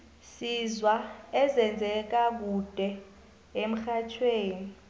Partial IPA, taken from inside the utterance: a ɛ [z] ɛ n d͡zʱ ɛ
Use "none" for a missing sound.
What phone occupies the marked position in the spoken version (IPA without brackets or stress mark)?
z